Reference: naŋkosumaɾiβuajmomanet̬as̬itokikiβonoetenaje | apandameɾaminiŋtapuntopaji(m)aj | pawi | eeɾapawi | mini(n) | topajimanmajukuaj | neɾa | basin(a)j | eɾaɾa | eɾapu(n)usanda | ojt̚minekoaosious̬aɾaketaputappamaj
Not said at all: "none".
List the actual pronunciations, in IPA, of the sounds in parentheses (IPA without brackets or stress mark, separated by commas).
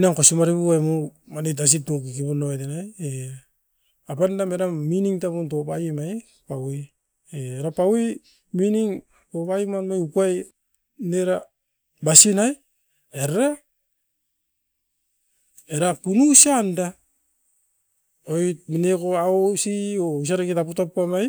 m, ŋ, a, n